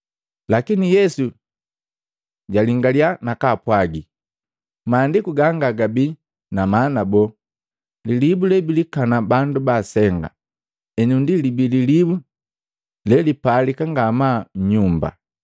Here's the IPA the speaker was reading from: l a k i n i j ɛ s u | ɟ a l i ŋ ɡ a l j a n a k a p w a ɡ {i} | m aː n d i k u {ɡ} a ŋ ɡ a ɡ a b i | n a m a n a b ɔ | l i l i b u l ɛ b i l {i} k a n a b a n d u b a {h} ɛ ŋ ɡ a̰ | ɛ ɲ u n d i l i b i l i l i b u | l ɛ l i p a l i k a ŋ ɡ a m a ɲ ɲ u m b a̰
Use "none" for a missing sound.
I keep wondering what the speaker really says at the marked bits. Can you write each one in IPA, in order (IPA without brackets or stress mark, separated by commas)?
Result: i, ɡ, i, s